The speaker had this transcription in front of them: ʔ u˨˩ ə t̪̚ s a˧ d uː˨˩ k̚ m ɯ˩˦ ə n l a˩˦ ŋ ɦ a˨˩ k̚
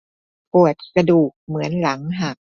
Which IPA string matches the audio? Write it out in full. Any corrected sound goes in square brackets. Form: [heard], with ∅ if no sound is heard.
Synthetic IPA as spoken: [p] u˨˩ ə t̪̚ s a˧ d uː˨˩ k̚ m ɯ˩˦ ə n l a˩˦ ŋ ɦ a˨˩ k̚